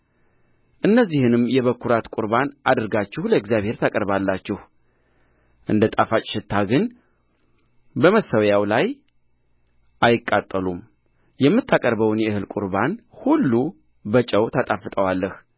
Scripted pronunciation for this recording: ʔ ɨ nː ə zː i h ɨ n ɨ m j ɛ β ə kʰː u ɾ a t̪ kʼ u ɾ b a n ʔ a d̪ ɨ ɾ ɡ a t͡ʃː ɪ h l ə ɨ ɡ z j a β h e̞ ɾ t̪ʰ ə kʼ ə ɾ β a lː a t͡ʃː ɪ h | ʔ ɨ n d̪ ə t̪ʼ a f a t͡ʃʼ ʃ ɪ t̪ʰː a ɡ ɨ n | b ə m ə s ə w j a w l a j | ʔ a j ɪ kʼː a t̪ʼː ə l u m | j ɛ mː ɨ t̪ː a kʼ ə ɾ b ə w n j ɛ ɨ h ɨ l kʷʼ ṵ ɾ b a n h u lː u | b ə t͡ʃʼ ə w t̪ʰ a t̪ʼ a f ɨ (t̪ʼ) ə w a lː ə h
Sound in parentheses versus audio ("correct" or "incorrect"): correct